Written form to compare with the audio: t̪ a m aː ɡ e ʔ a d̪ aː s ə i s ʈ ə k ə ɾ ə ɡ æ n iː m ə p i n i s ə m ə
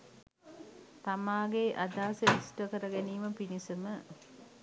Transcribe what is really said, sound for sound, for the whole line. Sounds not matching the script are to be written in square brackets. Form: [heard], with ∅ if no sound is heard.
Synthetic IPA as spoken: t̪ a m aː ɡ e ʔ a d̪ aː s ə i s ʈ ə k ə ɾ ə ɡ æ n iː m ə p i n i s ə m ə